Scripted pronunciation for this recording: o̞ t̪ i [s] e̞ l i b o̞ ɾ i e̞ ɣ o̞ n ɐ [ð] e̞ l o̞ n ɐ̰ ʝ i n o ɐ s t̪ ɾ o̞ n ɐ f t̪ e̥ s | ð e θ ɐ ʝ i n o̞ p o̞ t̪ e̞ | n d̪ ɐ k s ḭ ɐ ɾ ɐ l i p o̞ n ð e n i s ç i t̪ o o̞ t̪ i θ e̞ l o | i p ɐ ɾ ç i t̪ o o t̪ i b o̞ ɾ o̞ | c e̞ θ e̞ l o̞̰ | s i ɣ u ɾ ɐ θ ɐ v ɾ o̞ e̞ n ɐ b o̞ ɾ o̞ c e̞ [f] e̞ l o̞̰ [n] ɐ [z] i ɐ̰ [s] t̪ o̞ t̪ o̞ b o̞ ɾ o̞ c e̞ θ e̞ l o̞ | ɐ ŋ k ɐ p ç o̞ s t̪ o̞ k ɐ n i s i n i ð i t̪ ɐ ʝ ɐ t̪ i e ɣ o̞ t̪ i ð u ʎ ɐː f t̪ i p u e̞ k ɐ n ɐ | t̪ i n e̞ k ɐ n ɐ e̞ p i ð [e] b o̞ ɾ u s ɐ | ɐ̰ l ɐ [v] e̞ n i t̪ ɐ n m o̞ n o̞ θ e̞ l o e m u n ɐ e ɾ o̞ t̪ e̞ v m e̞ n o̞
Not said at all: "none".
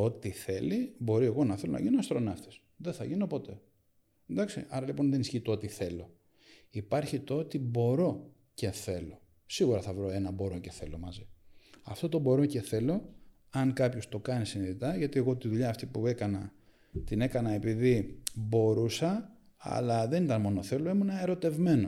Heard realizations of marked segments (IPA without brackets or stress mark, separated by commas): θ, θ, θ, m, z, f, i, ð